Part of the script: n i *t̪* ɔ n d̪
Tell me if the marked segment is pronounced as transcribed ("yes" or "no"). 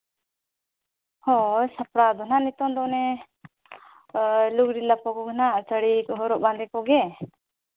yes